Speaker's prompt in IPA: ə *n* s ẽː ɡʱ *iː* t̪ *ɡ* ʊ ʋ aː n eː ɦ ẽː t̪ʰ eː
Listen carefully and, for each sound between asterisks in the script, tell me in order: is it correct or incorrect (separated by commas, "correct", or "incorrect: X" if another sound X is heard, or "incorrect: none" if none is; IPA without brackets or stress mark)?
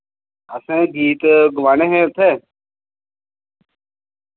incorrect: none, correct, correct